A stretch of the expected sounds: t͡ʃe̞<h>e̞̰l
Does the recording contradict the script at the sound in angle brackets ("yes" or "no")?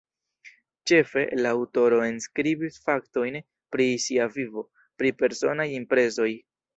yes